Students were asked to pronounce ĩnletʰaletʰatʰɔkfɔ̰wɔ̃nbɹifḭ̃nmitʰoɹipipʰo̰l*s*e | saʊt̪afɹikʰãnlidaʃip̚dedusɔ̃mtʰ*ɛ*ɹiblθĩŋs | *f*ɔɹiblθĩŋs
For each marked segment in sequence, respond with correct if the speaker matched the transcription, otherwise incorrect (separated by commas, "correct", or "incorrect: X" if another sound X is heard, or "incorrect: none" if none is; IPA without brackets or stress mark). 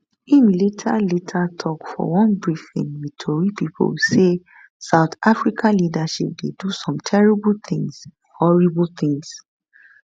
correct, correct, incorrect: h